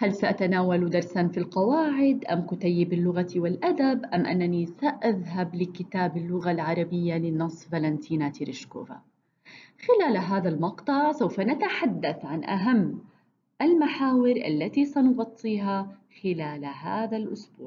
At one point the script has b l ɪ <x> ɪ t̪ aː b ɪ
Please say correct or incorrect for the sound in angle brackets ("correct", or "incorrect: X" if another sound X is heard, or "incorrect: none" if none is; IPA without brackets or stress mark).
incorrect: k